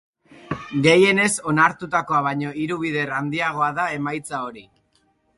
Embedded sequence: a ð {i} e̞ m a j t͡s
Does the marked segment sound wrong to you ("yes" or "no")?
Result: yes